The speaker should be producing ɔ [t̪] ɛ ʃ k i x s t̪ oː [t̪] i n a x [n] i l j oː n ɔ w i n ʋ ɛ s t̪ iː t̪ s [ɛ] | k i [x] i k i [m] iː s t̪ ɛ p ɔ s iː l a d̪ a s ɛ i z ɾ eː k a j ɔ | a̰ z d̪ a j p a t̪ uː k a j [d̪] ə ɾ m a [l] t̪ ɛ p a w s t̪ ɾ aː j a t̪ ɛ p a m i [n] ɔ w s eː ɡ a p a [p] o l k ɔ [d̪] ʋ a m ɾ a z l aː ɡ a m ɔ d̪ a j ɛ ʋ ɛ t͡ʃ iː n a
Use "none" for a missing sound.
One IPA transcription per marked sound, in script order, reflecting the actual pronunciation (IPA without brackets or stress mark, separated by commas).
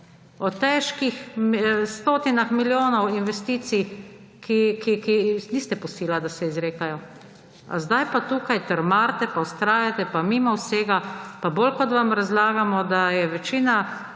t̪, t̪, m, i, k, n, t̪, ɾ, m, b, t̪